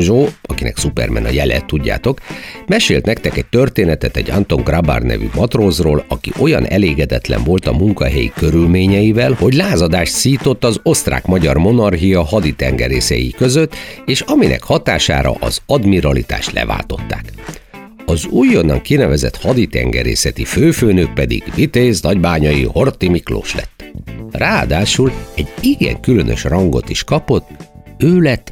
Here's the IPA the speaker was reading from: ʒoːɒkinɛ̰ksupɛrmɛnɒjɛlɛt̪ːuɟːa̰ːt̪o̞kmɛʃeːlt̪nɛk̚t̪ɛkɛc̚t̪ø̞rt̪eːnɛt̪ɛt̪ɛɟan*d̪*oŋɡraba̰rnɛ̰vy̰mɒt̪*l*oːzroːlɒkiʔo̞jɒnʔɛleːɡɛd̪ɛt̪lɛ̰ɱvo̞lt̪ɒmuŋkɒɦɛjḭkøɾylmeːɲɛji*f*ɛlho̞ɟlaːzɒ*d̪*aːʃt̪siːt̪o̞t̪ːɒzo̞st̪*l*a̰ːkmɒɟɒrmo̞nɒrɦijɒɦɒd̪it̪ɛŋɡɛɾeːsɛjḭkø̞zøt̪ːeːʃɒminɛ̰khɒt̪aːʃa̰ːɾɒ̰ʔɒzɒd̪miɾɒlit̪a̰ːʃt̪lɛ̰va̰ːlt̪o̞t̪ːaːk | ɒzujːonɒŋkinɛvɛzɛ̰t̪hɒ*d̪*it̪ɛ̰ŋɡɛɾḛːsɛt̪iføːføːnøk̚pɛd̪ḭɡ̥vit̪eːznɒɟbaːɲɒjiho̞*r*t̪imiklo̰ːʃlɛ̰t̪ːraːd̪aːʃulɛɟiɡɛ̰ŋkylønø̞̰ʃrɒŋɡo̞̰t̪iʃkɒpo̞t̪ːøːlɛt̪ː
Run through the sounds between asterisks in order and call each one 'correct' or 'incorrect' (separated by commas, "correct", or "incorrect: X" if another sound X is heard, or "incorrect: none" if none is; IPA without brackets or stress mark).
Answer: incorrect: t̪, incorrect: r, incorrect: v, correct, incorrect: r, correct, correct